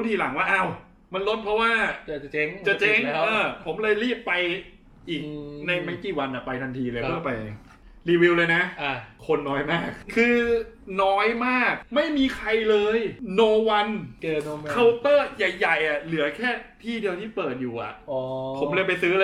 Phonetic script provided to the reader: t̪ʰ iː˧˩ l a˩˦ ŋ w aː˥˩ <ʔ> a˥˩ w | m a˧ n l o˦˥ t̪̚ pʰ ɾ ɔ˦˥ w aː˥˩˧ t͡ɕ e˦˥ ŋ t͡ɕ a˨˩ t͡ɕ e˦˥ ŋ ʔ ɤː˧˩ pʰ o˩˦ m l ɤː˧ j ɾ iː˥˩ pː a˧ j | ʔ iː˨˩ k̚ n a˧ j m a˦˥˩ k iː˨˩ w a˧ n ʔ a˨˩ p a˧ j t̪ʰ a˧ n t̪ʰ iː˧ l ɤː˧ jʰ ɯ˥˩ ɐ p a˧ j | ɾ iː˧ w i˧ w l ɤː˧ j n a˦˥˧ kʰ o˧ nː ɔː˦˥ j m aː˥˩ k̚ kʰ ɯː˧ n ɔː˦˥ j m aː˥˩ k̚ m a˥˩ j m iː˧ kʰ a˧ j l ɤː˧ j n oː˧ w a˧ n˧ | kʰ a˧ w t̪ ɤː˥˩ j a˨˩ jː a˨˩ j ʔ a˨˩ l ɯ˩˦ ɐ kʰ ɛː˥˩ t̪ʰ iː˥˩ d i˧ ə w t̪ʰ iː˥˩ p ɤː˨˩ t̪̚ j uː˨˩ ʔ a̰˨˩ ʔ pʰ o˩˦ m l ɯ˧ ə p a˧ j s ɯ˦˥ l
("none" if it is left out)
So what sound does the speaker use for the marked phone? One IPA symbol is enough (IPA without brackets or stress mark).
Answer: ʔ